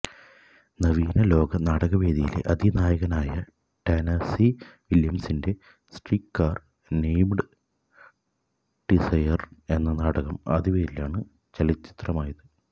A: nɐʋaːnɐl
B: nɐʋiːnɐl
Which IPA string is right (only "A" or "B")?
B